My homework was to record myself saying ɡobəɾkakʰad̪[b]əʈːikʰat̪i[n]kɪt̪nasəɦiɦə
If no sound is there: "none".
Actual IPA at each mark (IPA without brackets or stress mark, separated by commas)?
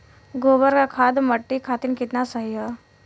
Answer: m, n